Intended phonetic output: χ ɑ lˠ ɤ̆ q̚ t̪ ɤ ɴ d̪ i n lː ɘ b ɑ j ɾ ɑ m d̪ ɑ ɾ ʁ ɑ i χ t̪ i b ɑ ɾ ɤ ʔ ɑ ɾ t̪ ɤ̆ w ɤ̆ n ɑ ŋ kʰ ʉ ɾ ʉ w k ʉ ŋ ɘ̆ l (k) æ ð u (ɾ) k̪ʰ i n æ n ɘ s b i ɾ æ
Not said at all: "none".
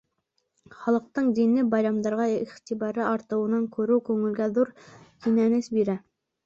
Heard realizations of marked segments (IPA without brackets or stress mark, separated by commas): ɡ, ɾ